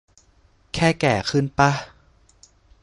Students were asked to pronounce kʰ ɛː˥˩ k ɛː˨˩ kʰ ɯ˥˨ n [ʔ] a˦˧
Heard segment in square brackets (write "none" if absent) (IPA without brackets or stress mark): p